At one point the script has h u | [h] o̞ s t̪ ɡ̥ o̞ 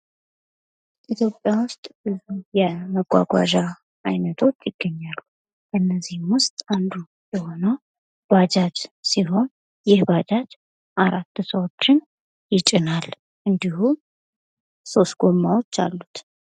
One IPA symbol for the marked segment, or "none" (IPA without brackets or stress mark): s